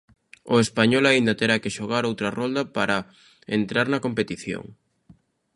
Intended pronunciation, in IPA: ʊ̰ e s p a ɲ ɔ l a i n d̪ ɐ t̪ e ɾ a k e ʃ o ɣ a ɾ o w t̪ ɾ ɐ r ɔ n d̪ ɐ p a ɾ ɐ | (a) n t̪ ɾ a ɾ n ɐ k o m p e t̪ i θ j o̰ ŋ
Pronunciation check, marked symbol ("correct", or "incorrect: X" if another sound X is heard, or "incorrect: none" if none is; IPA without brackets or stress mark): incorrect: e